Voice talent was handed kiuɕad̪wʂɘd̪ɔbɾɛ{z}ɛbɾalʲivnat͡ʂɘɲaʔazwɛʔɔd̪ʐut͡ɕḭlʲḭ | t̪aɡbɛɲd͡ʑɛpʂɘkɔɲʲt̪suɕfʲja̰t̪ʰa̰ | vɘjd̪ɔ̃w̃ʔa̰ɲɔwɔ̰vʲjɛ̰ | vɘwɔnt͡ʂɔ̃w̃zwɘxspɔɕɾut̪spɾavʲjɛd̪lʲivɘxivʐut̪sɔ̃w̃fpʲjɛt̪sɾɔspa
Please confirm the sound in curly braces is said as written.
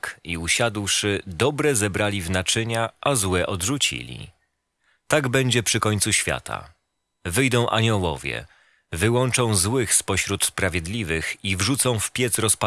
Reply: yes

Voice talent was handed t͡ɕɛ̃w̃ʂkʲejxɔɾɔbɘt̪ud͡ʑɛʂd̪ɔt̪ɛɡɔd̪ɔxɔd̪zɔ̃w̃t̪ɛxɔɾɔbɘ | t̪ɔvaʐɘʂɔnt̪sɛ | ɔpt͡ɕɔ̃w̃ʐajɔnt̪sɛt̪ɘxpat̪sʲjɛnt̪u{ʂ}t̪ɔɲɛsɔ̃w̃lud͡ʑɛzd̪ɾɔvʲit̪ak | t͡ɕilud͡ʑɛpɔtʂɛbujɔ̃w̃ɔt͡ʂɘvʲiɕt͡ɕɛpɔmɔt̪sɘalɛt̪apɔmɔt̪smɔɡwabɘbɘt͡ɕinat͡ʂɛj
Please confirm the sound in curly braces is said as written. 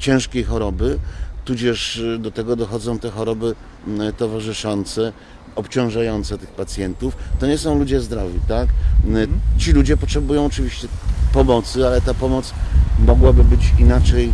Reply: no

